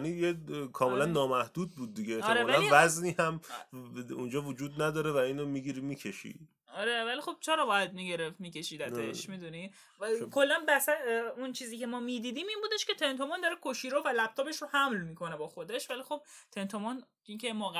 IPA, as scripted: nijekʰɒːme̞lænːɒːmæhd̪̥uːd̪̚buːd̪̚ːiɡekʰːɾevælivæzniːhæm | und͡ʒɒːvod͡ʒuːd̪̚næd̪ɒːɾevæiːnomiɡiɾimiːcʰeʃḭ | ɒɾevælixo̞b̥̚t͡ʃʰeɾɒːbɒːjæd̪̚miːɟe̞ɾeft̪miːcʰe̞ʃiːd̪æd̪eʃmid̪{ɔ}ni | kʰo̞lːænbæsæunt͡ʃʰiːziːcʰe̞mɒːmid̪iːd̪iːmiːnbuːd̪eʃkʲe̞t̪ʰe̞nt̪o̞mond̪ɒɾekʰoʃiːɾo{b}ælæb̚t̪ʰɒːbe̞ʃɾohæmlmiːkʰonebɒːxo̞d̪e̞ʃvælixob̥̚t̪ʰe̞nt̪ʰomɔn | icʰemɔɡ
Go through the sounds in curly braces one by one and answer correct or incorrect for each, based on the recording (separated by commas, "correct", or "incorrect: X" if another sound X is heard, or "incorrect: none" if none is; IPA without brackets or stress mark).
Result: incorrect: u, incorrect: v